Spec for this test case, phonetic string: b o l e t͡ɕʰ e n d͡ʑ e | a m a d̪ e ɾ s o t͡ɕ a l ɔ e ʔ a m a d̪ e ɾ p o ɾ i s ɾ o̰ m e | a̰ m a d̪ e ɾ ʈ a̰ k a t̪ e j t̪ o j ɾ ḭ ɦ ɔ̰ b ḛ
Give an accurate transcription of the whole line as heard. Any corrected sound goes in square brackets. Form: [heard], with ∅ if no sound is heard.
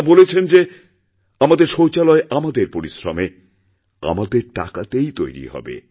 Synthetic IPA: b o l e t͡ɕʰ e n d͡ʑ e | a m a d̪ e ɾ [ʃ] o t͡ɕ a l ɔ e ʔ a m a d̪ e ɾ p o ɾ i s ɾ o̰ m e | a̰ m a d̪ e ɾ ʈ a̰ k a t̪ e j t̪ o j ɾ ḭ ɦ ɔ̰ b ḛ